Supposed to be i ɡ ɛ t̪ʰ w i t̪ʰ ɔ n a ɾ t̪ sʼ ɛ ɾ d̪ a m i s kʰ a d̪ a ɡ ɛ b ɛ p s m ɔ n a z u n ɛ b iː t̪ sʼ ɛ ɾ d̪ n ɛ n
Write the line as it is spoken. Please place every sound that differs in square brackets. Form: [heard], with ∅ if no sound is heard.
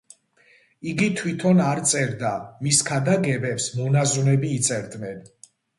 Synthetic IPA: i ɡ [i] t̪ʰ w i t̪ʰ ɔ n a ɾ t̪ sʼ ɛ ɾ d̪ a m i s kʰ a d̪ a ɡ ɛ b ɛ p s m ɔ n a z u n ɛ b iː t̪ sʼ ɛ ɾ d̪ n ɛ n